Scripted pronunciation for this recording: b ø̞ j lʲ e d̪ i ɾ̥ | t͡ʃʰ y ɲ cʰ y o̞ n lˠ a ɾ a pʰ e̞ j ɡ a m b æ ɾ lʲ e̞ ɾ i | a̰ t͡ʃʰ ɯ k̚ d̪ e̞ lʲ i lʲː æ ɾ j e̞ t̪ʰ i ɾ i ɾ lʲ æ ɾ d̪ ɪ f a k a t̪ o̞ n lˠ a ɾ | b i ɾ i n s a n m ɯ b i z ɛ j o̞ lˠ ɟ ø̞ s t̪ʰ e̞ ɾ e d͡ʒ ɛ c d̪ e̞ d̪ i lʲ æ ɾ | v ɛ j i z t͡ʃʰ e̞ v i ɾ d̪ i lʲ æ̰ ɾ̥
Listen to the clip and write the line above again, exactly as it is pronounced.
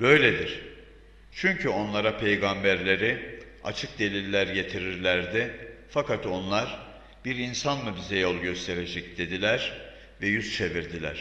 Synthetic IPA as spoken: b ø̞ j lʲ e d̪ i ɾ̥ | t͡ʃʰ y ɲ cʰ y o̞ n lˠ a ɾ a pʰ e̞ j ɡ a m b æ ɾ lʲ e̞ ɾ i | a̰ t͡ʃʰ ɯ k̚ d̪ e̞ lʲ i lʲː æ ɾ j e̞ t̪ʰ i ɾ i ɾ lʲ æ ɾ d̪ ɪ f a k a t̪ o̞ n lˠ a ɾ | b i ɾ i n s a n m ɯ b i z ɛ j o̞ lˠ ɟ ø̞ s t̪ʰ e̞ ɾ e d͡ʒ ɛ c d̪ e̞ d̪ i lʲ æ ɾ | v ɛ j y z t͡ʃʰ e̞ v i ɾ d̪ i lʲ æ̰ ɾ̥